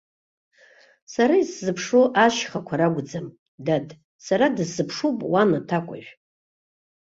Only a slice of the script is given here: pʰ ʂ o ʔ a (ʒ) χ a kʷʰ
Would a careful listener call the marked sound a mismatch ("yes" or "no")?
yes